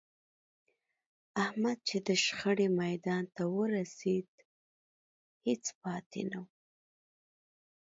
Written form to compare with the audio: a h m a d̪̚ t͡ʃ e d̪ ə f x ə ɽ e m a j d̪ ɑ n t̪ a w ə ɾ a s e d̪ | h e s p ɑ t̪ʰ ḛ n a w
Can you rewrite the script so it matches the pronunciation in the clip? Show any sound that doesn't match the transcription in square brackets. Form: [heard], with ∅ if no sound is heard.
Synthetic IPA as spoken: a h m a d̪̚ t͡ʃ e d̪ ə [ʃ] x ə ɽ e m a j d̪ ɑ n t̪ a w ə ɾ a s e d̪ | h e [t͡s] p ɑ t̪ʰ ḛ n a w